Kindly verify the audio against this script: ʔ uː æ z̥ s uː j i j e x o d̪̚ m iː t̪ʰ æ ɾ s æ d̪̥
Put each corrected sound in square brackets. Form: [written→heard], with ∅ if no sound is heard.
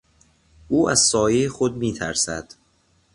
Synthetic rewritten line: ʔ uː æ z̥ s [uː→ɒː] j [i→e] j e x o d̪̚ m iː t̪ʰ æ ɾ s æ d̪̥